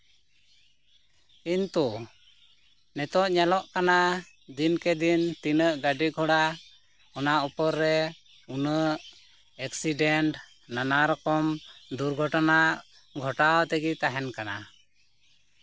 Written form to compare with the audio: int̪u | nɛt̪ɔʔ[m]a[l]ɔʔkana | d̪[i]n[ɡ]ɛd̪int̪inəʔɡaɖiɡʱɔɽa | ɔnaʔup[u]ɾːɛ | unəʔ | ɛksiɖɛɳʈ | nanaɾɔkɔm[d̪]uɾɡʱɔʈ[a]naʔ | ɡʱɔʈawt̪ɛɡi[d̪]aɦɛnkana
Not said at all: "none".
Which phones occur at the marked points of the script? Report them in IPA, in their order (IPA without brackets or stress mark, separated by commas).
ɲ, l, i, k, ɔ, d̪, a, t̪